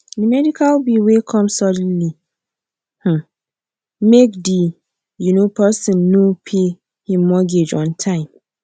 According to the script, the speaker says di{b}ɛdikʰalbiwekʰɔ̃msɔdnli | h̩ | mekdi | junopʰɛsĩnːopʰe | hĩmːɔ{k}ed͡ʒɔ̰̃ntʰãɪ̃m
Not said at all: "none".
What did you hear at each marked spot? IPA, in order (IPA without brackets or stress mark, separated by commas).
m, ɡ